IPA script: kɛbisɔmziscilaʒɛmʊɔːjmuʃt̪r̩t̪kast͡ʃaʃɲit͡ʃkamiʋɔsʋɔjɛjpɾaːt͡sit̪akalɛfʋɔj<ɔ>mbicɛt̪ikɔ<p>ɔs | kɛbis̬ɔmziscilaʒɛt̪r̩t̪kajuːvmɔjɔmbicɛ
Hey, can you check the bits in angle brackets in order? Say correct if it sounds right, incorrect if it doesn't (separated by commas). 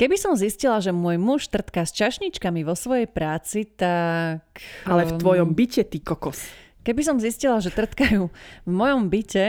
correct, incorrect